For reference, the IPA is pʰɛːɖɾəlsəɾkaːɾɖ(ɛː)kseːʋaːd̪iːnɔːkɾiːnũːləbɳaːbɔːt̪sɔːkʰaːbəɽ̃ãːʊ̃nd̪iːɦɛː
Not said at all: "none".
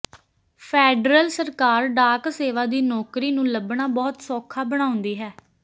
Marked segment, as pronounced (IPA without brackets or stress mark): aː